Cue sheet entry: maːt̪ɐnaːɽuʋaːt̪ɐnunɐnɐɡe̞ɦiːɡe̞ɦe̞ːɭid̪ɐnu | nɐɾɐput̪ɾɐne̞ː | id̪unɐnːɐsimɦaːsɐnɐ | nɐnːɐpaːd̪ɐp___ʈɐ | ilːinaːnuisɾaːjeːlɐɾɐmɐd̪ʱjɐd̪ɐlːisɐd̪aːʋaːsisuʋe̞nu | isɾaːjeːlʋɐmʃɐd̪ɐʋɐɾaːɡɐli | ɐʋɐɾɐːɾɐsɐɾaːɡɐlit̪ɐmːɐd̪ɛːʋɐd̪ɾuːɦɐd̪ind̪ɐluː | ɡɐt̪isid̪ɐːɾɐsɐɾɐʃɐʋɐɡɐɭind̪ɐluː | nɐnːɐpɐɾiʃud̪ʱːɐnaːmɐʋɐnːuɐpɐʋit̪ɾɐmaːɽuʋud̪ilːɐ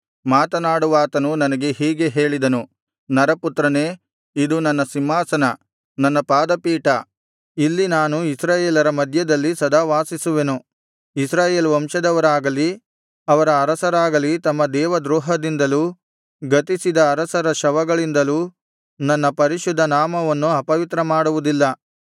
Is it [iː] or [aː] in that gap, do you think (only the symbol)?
iː